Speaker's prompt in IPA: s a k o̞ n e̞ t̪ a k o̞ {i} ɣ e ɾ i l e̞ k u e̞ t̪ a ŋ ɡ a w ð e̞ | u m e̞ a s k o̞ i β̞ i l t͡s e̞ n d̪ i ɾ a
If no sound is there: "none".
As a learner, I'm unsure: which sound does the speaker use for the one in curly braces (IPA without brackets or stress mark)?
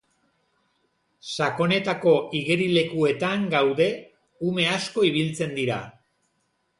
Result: i